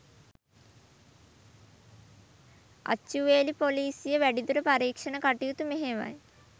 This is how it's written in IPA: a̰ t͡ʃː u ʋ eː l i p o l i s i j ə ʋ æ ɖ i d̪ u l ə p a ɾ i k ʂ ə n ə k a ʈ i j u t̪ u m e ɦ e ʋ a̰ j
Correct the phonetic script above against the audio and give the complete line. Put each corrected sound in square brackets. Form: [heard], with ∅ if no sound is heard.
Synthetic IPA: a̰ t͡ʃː u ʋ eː l i p o l [iː] s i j ə ʋ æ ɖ i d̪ u [ɾ] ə p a ɾ [iː] k ʂ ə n ə k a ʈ i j u t̪ u m e ɦ e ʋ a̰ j